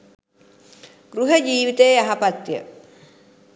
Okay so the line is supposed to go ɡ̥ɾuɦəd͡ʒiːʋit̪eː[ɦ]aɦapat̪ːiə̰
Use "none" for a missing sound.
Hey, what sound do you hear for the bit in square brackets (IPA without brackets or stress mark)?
none